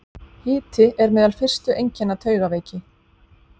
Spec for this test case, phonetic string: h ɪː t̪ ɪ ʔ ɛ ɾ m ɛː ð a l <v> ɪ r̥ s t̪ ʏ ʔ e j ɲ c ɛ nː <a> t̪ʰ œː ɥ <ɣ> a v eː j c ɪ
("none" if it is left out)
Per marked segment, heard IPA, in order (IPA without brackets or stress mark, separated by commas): f, a, ɣ